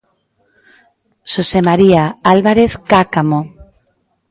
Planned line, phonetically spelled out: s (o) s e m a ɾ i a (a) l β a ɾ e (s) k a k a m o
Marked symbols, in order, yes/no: yes, yes, no

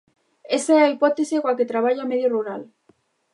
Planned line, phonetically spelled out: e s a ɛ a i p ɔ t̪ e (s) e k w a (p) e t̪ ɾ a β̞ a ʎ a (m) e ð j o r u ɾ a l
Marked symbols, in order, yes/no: yes, no, yes

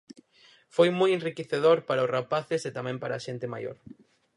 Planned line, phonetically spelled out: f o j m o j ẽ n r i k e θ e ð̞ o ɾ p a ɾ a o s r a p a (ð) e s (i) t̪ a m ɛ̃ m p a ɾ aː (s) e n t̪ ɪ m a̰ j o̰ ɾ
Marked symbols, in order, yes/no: no, no, no

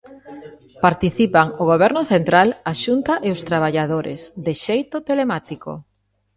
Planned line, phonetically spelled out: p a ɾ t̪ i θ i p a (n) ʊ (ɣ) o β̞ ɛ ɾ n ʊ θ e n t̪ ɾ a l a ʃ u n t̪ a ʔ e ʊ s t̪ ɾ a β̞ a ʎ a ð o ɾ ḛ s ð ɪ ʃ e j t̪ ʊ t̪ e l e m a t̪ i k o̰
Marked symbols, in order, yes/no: no, yes

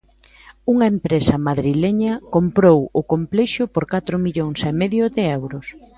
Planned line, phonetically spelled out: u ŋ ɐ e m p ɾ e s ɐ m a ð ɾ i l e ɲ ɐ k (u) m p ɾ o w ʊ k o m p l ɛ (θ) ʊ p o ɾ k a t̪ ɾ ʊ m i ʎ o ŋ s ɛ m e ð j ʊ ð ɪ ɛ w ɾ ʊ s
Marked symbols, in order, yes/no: no, no

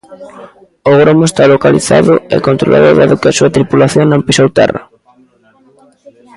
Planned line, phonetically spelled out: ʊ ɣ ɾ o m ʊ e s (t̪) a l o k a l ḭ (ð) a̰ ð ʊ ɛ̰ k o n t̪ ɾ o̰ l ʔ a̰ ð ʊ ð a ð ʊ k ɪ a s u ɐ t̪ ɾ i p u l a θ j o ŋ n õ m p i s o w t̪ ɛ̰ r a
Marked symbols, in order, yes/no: yes, no

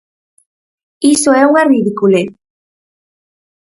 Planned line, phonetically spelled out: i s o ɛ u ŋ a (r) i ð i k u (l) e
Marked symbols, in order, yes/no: yes, yes

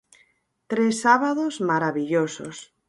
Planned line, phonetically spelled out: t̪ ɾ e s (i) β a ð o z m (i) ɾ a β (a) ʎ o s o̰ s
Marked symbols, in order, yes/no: no, no, no

